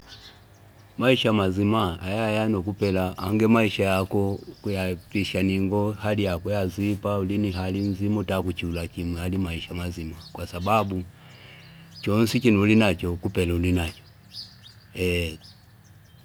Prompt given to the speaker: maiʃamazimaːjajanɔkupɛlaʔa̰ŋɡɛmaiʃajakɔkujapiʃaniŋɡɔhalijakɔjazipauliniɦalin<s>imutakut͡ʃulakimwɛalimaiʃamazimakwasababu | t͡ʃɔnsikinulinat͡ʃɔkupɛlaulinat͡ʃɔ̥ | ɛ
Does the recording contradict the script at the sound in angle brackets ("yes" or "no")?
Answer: yes